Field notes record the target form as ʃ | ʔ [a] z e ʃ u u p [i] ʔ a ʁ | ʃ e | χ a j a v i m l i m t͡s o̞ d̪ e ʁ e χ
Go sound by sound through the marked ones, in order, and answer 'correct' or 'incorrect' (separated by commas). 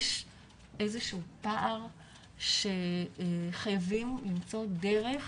incorrect, incorrect